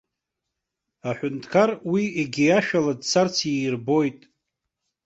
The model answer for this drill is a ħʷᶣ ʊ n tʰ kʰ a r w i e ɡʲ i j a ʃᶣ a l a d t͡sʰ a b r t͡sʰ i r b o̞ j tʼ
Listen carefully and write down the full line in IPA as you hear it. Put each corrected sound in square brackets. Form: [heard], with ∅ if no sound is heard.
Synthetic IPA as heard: a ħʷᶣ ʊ n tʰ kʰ a r w i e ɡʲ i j a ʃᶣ a l a d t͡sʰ a [∅] r t͡sʰ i r b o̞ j tʼ